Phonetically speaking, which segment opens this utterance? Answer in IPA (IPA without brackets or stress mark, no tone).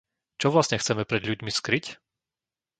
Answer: t͡ʃ